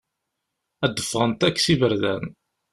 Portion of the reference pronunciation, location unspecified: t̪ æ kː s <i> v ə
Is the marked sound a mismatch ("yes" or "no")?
no